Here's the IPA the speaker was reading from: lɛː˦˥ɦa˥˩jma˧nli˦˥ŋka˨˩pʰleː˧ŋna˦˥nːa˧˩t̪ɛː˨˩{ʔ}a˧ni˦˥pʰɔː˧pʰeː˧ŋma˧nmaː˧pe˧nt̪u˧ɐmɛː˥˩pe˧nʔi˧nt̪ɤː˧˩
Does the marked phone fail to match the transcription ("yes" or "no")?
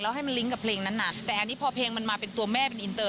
no